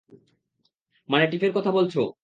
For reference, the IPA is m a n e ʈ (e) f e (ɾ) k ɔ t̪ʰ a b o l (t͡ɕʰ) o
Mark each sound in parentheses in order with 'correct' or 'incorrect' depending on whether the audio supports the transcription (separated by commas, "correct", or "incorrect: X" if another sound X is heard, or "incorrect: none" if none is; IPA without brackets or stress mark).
incorrect: i, correct, correct